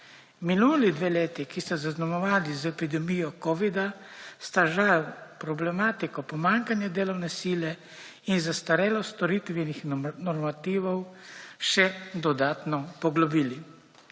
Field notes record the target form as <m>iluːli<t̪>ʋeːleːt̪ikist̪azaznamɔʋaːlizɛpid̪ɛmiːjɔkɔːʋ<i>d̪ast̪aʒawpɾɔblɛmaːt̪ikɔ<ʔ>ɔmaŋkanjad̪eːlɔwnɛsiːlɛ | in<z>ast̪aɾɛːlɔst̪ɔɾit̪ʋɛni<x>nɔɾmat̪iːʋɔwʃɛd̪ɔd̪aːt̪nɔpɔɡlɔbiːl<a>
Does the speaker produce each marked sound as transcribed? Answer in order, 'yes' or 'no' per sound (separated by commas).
yes, no, yes, no, yes, yes, no